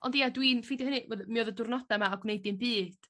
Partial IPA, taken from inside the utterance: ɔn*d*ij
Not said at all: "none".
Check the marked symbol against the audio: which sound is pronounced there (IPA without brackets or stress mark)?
d